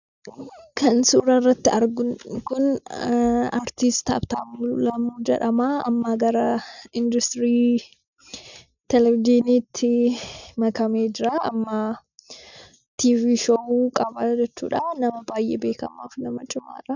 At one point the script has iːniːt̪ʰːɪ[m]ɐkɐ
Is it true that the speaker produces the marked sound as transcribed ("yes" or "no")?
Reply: yes